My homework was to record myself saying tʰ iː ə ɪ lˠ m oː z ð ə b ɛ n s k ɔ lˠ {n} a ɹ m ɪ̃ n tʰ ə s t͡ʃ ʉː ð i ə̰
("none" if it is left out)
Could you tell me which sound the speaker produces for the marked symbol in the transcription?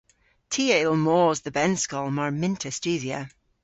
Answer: m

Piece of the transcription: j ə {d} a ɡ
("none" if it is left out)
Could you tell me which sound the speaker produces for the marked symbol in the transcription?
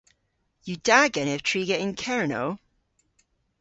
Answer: d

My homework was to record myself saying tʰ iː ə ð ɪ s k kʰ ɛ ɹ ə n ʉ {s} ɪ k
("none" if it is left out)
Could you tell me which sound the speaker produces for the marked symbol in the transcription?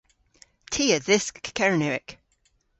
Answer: none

